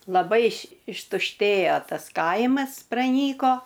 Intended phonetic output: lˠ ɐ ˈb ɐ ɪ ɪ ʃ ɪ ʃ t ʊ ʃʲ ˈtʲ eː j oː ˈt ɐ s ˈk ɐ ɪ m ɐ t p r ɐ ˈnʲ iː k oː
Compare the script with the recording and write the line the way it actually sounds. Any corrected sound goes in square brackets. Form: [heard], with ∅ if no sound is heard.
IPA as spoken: lˠ ɐ ˈb ɐ ɪ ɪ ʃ ɪ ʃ t ʊ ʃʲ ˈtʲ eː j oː ˈt ɐ s ˈk ɐ ɪ m ɐ [s] p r ɐ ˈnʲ iː k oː